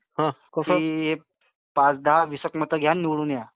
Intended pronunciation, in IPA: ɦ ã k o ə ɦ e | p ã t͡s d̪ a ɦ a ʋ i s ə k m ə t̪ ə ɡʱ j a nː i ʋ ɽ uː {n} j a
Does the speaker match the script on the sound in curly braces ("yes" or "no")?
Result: yes